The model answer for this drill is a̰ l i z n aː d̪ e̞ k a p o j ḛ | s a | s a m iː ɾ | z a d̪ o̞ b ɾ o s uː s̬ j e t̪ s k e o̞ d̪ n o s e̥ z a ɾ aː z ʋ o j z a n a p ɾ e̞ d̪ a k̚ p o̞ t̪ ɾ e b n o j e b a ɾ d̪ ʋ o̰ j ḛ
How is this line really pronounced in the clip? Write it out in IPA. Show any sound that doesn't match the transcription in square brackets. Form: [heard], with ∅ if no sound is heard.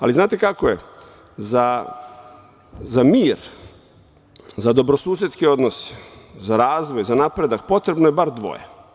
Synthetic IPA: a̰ l i z n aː [t̪] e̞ k a [k] o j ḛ | [z] a | [z] a m iː ɾ | z a d̪ o̞ b ɾ o s uː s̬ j e t̪ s k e o̞ d̪ n o s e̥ z a ɾ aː z ʋ o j z a n a p ɾ e̞ d̪ a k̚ p o̞ t̪ ɾ e b n o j e b a ɾ d̪ ʋ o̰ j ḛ